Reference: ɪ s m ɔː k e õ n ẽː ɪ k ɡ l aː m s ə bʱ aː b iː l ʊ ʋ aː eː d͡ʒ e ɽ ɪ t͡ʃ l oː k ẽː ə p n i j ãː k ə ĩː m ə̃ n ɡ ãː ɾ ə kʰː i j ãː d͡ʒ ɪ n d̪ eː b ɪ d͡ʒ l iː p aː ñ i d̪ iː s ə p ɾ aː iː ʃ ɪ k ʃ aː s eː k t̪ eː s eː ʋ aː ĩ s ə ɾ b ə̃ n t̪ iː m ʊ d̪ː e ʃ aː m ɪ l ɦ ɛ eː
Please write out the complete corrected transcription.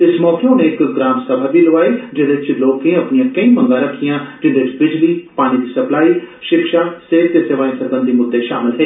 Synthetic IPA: ɪ s m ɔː k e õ n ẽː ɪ k ɡ ɾ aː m s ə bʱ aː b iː l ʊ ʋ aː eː d͡ʒ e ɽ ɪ t͡ʃ l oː k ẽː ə p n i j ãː k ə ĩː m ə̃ ŋ ɡ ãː ɾ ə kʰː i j ãː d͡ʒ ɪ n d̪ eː b ɪ d͡ʒ l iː p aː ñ i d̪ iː s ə p l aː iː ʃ ɪ k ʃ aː s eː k t̪ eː s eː ʋ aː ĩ s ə ɾ b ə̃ n d̪ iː m ʊ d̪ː e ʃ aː m ɪ l ɦ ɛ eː